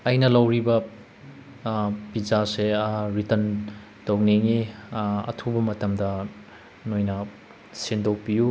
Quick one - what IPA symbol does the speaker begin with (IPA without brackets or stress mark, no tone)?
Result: ɐ